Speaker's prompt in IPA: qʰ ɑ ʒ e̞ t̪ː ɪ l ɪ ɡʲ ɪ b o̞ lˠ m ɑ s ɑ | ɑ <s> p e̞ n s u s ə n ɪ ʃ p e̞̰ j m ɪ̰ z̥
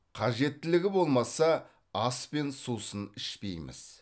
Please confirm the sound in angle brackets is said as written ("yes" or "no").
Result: yes